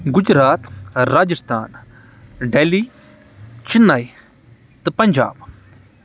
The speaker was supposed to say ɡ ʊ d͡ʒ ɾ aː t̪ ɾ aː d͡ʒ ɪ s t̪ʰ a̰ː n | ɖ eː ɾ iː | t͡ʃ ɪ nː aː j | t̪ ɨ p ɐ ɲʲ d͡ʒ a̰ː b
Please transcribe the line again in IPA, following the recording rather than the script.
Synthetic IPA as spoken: ɡ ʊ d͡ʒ ɾ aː t̪ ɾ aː d͡ʒ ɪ s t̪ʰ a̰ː n | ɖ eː l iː | t͡ʃ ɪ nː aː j | t̪ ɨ p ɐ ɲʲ d͡ʒ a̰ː b